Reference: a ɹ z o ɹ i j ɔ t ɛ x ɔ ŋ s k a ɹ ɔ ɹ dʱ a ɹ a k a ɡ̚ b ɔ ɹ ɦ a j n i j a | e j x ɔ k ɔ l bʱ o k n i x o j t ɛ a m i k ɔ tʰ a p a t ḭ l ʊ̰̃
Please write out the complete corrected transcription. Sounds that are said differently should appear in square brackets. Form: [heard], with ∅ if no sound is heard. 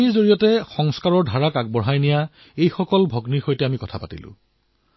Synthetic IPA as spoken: [i] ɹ z o ɹ i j ɔ t ɛ x ɔ ŋ s k a ɹ ɔ ɹ dʱ a ɹ a k a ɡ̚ b ɔ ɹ ɦ a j n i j a | e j x ɔ k ɔ l bʱ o [ɡ] n i x o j t ɛ a m i k ɔ tʰ a p a t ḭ l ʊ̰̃

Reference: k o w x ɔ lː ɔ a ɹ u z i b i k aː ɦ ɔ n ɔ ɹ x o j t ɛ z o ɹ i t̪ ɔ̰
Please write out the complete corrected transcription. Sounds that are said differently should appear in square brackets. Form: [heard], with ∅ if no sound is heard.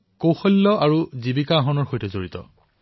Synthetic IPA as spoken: k o w x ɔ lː ɔ a ɹ u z i b i k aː ɦ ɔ n ɔ ɹ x o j t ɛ z o ɹ i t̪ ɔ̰

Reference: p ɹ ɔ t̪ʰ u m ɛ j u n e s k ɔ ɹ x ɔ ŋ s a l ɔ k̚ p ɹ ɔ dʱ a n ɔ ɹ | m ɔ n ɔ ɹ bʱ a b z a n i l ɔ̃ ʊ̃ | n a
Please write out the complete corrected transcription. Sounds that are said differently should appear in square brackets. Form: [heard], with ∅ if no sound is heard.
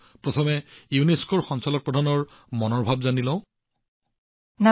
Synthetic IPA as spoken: p ɹ ɔ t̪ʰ [ɔ] m ɛ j u n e s k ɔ ɹ x ɔ [n] s a l ɔ k̚ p ɹ ɔ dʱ a n ɔ ɹ | m ɔ n ɔ ɹ bʱ a b z a n i l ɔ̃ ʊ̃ | n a

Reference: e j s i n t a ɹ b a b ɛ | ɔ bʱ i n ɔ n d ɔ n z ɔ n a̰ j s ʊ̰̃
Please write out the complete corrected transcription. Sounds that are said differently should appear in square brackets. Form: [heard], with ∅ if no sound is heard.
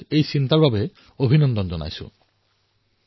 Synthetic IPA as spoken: e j s i n t a ɹ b a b ɛ | [o] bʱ i n ɔ n d ɔ n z ɔ n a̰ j s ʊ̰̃

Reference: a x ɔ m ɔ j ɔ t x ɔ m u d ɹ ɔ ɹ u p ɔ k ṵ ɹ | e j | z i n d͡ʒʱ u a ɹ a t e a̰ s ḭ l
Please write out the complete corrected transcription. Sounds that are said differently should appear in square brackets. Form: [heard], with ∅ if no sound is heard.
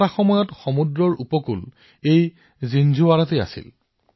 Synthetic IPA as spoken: a x ɔ m ɔ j ɔ t x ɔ m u d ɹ ɔ ɹ u p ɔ k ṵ [l] | e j | z i n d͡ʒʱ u a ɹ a t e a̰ s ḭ l

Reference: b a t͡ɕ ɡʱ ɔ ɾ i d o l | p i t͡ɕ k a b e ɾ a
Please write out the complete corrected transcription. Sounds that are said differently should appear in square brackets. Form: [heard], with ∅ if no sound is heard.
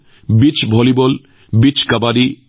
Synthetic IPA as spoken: b [i] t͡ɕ [bʱ] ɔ [l] i [b] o l | [b] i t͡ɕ k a b [a] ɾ [i]

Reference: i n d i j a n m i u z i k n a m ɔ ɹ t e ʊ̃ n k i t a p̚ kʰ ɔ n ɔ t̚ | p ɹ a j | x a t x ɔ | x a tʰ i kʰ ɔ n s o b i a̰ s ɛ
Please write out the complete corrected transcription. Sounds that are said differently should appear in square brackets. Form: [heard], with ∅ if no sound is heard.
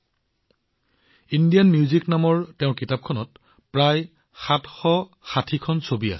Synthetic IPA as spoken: i n d i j a n m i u z i k n a m ɔ ɹ t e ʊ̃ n k i t a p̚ kʰ ɔ n ɔ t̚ | p ɹ a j | x a t x ɔ | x a tʰ i kʰ ɔ n s o b i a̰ s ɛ

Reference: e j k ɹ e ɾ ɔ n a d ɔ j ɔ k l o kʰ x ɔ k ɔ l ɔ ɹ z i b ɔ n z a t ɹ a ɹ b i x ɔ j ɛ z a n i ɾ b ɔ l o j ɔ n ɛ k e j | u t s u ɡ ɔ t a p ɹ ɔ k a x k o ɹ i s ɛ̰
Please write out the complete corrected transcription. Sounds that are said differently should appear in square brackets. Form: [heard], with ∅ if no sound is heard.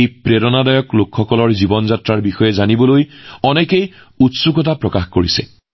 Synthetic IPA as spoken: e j [p] ɹ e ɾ ɔ n a d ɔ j ɔ k l o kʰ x ɔ k ɔ l ɔ ɹ z i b ɔ n z a t ɹ a ɹ b i x ɔ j ɛ z a n i [∅] b ɔ l o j ɔ n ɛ k e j | u t s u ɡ ɔ t a p ɹ ɔ k a x k o ɹ i s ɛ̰

